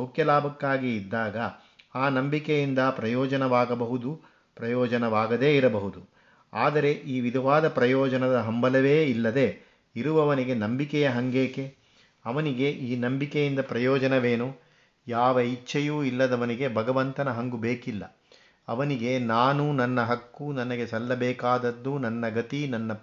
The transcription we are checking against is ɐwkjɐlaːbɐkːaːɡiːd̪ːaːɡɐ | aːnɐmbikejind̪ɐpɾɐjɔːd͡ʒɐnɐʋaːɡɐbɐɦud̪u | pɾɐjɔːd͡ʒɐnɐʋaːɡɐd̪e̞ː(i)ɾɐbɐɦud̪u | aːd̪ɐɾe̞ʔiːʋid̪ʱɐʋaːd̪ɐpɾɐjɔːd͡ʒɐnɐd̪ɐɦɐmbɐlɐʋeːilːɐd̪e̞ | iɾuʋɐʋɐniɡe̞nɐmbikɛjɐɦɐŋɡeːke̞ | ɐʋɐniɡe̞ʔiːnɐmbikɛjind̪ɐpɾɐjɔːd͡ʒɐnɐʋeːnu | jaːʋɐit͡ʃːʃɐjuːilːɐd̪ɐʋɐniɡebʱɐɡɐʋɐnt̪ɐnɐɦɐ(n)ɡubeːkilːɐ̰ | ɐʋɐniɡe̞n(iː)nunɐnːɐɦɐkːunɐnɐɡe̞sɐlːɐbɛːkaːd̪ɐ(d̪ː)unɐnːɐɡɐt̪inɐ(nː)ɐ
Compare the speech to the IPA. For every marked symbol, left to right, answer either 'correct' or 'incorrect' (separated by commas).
correct, incorrect, incorrect, correct, correct